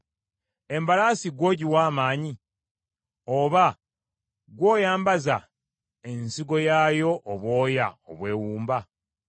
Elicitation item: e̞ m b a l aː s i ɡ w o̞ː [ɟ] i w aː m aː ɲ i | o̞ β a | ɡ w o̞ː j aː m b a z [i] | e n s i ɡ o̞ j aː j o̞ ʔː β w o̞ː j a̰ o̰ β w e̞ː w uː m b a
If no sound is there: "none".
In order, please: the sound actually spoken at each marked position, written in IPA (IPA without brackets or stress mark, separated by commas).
ɟ, a